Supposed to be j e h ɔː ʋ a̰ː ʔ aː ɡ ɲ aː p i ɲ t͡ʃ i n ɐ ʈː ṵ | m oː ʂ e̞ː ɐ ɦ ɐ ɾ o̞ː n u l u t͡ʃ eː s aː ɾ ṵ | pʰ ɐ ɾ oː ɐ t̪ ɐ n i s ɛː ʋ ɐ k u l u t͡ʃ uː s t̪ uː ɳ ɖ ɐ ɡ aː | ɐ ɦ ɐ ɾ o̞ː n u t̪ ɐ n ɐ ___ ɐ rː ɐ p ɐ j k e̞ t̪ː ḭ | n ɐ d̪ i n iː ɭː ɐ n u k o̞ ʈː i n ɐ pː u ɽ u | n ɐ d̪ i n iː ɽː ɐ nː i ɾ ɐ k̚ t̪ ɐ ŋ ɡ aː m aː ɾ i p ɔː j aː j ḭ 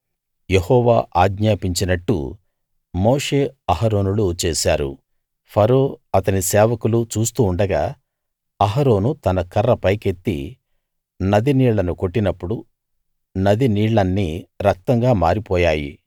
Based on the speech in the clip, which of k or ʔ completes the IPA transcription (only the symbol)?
k